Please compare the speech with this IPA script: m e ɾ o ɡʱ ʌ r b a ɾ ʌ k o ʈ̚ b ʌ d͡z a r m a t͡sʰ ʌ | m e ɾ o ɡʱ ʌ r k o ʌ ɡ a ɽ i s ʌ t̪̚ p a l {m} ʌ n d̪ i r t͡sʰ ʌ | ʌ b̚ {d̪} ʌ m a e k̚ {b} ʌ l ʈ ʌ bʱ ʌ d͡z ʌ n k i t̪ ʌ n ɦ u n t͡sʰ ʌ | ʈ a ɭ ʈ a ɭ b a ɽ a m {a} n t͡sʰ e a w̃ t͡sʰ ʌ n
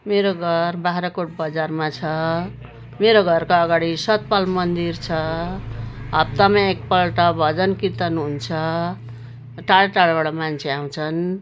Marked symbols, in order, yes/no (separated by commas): yes, no, no, yes